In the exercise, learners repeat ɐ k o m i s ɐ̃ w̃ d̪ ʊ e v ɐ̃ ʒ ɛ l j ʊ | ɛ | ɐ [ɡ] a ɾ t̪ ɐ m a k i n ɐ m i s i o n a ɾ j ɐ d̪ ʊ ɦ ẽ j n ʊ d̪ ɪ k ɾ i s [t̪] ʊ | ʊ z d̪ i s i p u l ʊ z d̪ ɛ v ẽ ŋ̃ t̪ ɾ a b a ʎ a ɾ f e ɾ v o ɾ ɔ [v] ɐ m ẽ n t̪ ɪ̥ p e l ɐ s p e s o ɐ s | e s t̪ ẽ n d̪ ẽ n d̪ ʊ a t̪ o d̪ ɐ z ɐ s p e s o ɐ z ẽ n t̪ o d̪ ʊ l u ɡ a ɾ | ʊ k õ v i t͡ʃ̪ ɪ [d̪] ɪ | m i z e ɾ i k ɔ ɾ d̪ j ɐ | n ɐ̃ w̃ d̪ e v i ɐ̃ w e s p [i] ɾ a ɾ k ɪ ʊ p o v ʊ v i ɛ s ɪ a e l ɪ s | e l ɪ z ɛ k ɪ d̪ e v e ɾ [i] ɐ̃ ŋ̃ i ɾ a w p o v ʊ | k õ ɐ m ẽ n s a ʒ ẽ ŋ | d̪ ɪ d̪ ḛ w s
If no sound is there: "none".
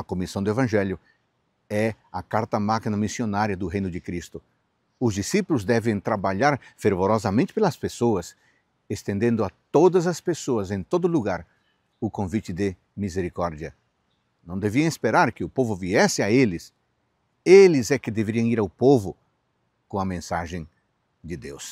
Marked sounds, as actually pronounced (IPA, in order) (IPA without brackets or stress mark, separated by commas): k, t̪, z, d̪, e, i